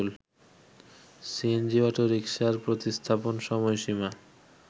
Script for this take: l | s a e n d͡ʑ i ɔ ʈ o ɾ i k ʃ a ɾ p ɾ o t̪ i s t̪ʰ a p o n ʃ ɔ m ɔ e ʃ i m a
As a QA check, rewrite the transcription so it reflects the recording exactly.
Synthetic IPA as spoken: l | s i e n d͡ʑ i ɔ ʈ o ɾ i k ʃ a ɾ p ɾ o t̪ i s t̪ʰ a p o n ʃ ɔ m ɔ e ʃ i m a

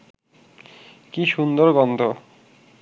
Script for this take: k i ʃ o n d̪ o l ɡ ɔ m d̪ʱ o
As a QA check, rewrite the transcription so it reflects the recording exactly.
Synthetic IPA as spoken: k i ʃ u n d̪ o ɾ ɡ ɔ n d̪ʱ o

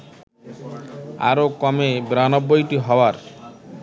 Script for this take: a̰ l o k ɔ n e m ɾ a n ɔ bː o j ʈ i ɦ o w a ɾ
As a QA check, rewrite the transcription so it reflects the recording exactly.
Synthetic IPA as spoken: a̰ ɾ o k ɔ m e b ɾ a n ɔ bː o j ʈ i ɦ ɔ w a ɾ

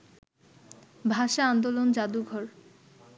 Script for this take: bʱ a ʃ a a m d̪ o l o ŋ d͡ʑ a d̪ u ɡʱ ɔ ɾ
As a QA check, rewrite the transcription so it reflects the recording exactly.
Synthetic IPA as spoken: bʱ a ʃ a a n d̪ o l o n d͡ʑ a d̪ u ɡʱ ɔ ɾ

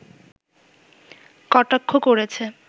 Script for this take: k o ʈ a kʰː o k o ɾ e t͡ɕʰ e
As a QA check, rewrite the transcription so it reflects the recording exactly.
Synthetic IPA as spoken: k ɔ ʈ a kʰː o k o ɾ e t͡ɕʰ e

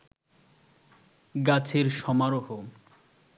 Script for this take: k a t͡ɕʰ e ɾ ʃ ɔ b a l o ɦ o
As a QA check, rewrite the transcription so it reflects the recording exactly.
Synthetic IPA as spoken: ɡ a t͡ɕʰ e ɾ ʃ ɔ m a ɾ o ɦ o

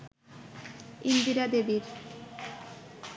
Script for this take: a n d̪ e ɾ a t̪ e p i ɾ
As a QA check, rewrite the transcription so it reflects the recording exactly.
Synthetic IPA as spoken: i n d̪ i ɾ a d̪ e b i ɾ

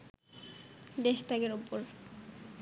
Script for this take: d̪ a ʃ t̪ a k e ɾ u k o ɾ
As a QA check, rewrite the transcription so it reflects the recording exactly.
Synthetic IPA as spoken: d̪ e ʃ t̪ a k e ɾ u p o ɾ

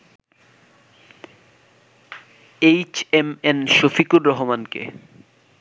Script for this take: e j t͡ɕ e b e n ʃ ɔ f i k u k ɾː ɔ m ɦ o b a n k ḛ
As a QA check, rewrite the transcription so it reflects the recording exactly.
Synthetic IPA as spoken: e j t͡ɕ e m e n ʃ o f i k u ɾː ɔ ɦ o m a n k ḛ

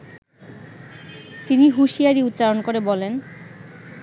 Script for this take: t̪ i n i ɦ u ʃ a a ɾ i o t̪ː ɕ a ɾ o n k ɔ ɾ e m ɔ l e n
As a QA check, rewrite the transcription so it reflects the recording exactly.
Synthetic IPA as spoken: t̪ i n i ɦ u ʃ i a ɾ i u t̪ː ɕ a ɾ o n k o ɾ e b ɔ l e n

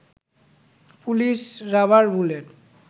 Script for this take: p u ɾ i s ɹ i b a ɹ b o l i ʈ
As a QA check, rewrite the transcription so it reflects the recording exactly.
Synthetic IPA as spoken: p u l i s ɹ a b a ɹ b u l e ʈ

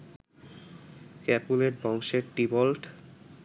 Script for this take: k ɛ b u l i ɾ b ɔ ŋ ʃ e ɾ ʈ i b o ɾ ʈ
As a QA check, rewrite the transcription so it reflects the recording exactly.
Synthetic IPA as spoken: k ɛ p u l e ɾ b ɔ ŋ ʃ e ɾ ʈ i b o l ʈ

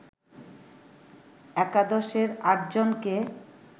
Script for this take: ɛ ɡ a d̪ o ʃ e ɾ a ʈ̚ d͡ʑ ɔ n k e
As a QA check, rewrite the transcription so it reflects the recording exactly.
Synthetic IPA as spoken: ɛ k a d̪ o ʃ e ɾ a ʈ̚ d͡ʑ o n k e

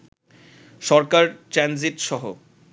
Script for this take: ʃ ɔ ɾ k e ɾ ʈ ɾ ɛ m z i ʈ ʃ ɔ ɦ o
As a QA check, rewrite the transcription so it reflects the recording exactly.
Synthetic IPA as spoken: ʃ ɔ ɾ k a ɾ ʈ ɾ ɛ n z i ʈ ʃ ɔ ɦ o

